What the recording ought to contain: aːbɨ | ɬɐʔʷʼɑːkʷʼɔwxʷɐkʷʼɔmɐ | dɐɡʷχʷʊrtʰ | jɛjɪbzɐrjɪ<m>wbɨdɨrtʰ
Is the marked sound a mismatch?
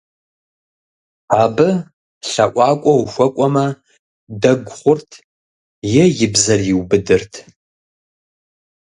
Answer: yes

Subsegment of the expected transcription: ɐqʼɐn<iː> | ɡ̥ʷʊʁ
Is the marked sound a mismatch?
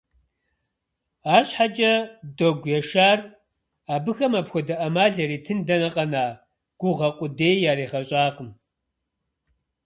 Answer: yes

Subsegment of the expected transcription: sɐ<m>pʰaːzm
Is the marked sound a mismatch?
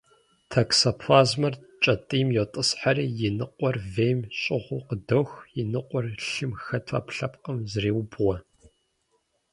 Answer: yes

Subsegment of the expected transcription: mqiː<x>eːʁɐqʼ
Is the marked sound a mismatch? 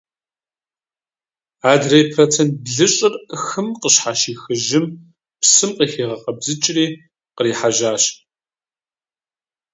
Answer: no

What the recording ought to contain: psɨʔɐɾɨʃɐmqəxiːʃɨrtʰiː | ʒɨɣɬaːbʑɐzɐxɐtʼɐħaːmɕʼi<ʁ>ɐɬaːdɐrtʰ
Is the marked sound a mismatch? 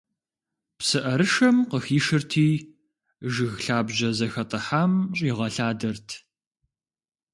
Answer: no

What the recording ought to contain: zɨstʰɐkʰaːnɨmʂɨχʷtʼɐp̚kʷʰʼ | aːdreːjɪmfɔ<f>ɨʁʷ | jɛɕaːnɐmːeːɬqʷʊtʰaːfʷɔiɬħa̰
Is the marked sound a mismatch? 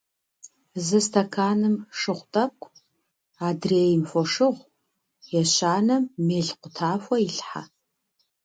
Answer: yes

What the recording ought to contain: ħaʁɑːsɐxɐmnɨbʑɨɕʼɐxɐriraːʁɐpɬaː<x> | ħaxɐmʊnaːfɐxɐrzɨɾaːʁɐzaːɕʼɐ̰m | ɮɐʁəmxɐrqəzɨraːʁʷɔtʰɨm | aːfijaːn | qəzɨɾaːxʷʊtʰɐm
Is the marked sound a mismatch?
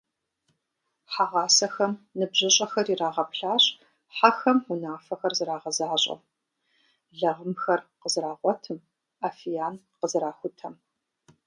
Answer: yes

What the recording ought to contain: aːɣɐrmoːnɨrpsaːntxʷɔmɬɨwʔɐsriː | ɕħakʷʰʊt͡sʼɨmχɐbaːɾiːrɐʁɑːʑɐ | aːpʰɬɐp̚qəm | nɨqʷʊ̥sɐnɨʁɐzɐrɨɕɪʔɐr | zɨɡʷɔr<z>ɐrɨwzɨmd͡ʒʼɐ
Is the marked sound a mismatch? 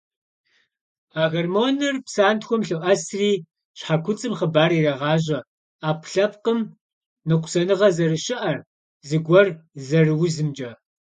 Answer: no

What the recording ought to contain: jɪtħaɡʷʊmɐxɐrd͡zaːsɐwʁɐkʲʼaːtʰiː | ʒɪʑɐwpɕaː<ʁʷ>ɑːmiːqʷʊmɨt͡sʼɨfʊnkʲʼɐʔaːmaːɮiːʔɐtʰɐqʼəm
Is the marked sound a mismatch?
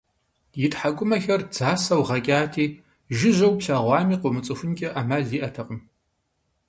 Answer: no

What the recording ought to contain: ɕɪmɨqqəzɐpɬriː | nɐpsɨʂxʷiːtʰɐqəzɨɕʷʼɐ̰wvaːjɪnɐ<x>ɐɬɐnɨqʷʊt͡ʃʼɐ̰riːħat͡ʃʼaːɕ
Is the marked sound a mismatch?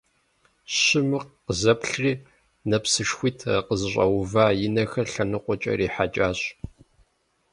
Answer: no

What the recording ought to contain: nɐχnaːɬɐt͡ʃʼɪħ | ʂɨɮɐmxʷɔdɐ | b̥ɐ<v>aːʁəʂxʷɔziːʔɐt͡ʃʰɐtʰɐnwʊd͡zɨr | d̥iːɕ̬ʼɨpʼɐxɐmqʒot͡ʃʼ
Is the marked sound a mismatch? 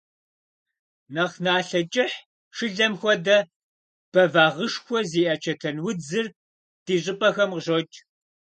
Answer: no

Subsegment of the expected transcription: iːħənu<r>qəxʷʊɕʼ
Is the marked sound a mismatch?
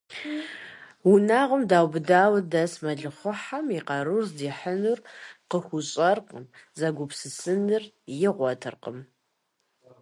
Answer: no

